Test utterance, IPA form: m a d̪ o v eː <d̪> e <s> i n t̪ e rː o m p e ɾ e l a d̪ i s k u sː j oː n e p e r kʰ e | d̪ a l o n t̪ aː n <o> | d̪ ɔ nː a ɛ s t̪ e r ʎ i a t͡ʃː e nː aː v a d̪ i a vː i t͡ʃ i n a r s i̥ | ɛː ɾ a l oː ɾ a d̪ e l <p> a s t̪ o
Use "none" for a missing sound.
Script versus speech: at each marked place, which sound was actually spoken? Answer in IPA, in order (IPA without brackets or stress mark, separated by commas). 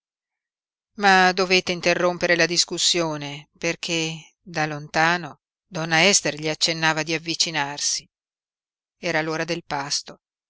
t̪, none, o, p